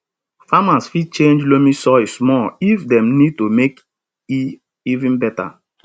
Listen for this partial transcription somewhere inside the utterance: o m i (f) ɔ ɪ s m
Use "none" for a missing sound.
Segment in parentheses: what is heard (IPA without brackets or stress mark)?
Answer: s